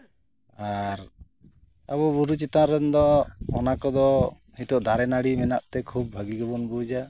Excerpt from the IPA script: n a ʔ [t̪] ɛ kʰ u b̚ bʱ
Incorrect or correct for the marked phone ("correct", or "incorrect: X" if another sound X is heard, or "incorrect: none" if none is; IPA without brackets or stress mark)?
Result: correct